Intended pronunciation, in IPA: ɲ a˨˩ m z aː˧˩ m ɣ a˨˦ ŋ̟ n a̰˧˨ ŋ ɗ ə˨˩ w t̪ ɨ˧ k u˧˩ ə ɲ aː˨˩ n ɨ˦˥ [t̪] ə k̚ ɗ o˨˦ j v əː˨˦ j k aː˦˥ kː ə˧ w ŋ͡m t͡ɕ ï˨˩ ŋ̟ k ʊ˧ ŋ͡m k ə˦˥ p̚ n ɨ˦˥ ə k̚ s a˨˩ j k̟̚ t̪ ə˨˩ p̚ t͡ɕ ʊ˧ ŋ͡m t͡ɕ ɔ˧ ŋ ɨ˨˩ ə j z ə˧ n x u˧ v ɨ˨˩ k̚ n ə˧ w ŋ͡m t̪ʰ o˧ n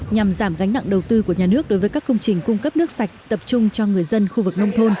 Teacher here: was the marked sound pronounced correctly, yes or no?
no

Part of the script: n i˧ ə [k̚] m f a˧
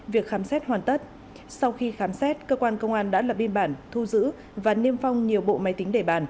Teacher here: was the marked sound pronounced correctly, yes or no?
no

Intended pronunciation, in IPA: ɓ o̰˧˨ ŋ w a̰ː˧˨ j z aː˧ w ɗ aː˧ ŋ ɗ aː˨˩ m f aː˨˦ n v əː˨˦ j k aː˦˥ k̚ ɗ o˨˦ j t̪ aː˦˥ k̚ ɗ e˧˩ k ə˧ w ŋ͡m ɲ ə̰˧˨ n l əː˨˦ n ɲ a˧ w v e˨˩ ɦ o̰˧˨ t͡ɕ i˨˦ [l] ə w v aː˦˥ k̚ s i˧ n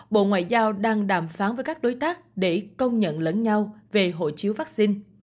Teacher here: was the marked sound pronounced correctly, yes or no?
no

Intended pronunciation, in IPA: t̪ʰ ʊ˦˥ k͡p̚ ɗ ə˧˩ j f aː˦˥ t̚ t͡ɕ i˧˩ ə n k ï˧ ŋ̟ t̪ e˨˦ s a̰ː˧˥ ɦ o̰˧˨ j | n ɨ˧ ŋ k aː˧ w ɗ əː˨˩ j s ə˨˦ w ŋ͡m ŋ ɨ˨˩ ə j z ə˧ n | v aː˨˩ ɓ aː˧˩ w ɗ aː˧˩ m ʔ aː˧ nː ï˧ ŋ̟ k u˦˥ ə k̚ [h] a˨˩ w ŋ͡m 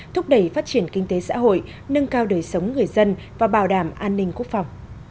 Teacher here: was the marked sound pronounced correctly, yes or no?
no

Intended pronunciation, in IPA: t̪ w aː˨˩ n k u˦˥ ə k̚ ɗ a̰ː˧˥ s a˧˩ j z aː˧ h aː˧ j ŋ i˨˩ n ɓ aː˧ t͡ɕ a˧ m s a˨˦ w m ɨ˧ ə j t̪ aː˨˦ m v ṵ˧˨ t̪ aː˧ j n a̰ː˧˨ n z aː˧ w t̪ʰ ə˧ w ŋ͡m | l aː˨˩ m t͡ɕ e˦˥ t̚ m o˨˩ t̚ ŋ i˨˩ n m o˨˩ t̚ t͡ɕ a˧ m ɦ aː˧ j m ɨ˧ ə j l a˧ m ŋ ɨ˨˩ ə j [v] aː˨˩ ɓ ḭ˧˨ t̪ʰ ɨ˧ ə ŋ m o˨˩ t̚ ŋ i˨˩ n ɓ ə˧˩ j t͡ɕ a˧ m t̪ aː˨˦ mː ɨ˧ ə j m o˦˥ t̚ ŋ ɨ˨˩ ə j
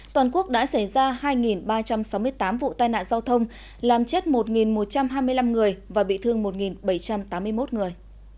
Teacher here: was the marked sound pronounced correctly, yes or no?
yes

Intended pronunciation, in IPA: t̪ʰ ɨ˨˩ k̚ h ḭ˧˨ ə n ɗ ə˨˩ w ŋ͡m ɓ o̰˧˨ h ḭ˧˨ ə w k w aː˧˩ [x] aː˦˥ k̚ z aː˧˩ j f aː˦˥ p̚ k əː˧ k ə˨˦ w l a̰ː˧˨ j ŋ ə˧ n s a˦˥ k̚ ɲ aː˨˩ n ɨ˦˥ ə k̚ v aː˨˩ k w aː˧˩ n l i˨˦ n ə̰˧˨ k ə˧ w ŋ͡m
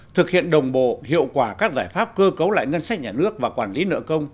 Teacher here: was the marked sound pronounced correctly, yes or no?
no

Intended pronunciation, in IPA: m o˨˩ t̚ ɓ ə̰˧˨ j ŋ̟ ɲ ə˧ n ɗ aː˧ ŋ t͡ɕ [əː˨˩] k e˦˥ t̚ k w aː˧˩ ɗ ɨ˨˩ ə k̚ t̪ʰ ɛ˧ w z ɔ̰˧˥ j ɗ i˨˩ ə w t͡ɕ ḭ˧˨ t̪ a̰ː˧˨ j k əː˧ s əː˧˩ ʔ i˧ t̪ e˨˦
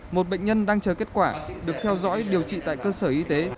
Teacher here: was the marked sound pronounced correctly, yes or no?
yes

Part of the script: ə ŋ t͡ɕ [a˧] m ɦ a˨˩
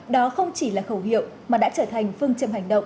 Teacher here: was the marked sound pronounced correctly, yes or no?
no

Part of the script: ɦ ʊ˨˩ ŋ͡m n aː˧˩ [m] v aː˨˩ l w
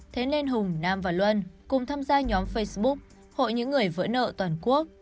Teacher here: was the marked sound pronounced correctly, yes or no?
yes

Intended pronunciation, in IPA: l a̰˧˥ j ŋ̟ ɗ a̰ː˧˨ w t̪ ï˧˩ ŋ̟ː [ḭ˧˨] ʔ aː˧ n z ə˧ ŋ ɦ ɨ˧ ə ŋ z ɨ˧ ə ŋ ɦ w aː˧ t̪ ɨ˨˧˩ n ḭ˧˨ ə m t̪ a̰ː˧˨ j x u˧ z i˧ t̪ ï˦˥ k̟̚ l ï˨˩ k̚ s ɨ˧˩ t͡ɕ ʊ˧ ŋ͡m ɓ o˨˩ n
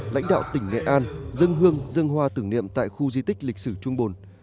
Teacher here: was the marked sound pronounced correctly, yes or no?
no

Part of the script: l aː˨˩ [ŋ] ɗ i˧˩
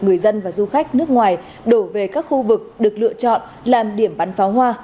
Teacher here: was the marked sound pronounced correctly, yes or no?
no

